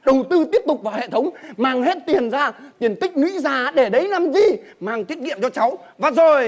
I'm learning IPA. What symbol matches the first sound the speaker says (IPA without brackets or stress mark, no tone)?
ɗ